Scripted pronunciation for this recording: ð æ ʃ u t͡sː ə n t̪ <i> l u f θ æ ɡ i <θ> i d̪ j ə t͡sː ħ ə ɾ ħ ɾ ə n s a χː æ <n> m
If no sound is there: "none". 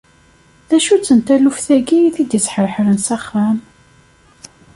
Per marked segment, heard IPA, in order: æ, θ, none

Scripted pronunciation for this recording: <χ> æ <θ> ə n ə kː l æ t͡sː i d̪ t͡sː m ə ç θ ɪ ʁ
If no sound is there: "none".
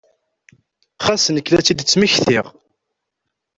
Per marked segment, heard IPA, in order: χ, s

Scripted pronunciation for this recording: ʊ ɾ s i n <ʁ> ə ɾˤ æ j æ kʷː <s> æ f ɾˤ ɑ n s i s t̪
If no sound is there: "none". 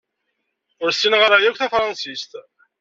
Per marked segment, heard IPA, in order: ʁ, θ

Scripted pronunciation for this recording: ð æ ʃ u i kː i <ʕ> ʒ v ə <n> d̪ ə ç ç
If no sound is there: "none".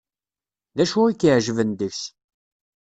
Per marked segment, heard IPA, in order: ʕ, n

